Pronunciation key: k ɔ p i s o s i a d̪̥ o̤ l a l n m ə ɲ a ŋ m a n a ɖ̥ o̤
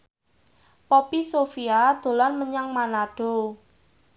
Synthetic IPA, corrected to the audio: p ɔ p i s o f i a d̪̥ o̤ l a n m ə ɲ a ŋ m a n a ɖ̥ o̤